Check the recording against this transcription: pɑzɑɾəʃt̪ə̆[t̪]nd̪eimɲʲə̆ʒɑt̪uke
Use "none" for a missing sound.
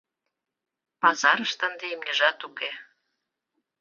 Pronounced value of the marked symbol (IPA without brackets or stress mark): none